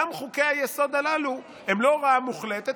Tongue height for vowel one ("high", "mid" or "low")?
low